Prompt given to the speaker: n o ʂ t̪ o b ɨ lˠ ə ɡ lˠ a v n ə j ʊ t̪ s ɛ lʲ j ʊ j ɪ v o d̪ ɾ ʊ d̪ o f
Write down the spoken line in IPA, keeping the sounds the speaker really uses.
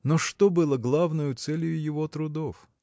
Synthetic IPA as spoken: n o ʂ t̪ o b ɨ lˠ ə ɡ lˠ a v n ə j ʊ t̪ s ɛ lʲ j ʊ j ɪ v o t̪ ɾ ʊ d̪ o f